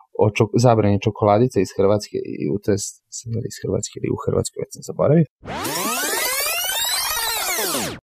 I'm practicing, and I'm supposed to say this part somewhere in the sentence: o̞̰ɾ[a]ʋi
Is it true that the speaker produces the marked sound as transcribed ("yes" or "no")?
yes